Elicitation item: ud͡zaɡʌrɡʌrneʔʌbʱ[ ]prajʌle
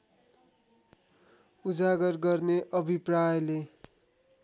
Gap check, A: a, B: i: B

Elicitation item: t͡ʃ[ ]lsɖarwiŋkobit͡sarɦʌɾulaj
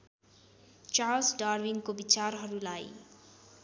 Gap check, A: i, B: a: B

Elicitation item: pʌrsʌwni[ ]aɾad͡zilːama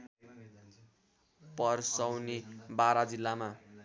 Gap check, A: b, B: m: A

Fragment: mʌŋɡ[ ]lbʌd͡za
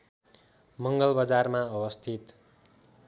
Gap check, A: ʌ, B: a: A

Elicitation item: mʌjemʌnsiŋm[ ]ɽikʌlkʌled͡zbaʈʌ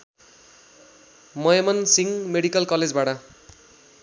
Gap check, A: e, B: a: A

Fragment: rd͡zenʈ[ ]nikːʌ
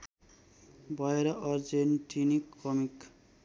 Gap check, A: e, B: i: B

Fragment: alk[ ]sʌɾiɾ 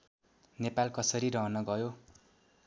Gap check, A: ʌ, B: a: A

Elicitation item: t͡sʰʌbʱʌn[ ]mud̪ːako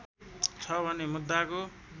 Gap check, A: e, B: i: A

